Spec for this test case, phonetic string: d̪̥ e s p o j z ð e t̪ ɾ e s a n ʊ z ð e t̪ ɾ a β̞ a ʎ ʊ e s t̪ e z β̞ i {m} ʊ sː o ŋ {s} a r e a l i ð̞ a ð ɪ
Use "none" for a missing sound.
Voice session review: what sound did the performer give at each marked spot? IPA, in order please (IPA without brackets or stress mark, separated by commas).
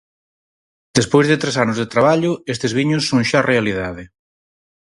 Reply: ɲ, ʃ